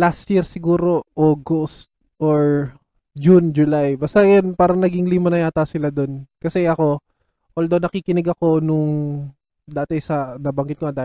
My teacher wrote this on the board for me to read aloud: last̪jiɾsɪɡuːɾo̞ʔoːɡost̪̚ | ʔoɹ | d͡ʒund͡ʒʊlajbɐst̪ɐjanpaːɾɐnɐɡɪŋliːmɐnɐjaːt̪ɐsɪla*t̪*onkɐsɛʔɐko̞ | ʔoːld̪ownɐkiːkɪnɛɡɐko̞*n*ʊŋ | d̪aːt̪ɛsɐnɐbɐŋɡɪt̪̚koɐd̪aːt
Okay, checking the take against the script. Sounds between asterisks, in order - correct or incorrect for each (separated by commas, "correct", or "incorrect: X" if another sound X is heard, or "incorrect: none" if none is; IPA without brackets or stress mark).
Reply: incorrect: d̪, correct